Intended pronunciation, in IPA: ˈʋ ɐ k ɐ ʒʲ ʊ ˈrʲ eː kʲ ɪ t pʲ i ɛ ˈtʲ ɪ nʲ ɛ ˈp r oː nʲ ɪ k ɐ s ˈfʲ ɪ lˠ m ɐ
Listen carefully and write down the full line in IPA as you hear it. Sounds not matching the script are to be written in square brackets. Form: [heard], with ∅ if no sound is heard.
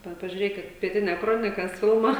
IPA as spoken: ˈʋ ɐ [p] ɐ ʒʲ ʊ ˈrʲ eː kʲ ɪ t pʲ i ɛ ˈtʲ ɪ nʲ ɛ [ˈk] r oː nʲ ɪ k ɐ s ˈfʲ ɪ lˠ m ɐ